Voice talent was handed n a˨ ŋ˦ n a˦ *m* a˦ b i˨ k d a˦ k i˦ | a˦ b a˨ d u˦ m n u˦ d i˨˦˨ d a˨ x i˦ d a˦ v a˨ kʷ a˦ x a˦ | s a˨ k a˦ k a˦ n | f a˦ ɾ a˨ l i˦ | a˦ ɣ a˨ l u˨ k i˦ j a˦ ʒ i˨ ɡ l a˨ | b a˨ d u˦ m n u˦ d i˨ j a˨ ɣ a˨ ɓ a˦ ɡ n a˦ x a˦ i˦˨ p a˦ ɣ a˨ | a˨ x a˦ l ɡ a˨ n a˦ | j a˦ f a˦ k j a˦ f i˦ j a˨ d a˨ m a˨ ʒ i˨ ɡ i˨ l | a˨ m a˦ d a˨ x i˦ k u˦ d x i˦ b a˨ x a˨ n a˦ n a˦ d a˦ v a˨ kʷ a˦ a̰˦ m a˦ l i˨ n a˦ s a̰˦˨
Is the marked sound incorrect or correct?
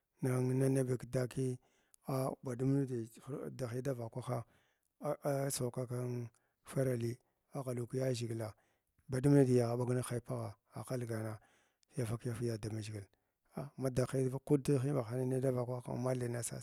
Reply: incorrect